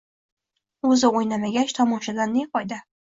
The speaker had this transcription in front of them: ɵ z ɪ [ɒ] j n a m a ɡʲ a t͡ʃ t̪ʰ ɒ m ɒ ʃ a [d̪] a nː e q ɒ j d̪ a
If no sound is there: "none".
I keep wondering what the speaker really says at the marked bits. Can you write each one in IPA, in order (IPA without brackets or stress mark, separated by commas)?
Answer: o, d̪